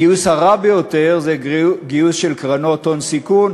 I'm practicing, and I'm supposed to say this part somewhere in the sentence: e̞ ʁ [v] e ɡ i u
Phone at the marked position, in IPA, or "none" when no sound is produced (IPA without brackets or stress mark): z